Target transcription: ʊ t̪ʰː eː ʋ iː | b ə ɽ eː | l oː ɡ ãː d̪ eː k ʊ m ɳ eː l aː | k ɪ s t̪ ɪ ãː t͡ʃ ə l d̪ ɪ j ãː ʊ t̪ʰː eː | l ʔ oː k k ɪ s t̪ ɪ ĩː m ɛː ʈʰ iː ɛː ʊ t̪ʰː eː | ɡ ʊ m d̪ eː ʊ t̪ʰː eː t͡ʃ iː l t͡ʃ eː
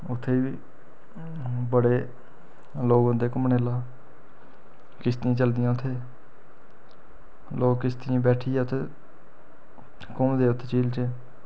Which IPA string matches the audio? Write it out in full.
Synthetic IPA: ʊ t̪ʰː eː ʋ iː | b ə ɽ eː | l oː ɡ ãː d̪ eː k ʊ m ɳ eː l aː | k ɪ s t̪ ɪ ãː t͡ʃ ə l d̪ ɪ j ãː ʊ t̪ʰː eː | l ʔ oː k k ɪ s t̪ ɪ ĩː b ɛː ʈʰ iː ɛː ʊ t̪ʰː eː | k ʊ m d̪ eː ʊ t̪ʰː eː t͡ʃ iː l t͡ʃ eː